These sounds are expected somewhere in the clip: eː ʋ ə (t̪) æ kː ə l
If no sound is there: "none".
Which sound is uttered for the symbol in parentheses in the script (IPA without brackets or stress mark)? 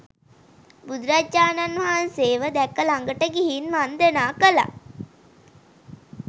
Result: d̪